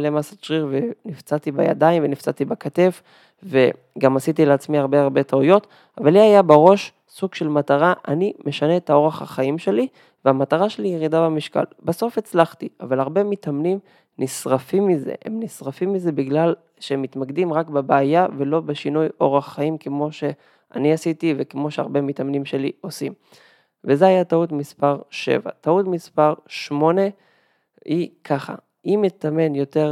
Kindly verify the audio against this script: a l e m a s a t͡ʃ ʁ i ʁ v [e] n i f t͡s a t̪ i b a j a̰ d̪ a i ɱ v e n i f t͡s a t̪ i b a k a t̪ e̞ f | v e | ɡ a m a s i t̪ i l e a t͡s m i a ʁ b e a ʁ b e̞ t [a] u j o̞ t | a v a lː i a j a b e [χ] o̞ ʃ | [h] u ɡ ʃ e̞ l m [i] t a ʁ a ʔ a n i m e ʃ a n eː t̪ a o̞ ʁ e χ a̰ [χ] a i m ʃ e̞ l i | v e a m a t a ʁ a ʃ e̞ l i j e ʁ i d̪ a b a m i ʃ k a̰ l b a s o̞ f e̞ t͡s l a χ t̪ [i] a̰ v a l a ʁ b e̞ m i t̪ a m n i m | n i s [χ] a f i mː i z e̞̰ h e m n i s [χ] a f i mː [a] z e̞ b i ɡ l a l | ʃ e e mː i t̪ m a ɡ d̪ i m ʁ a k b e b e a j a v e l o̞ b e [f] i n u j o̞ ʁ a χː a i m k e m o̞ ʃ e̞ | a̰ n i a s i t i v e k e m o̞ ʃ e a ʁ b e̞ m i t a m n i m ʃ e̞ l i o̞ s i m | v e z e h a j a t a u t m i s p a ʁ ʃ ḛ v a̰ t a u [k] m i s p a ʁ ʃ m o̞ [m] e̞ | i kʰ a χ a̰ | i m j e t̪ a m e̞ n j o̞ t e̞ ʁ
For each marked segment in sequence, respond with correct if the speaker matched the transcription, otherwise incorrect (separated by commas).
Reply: correct, correct, incorrect, incorrect, incorrect, correct, correct, incorrect, incorrect, incorrect, incorrect, incorrect, incorrect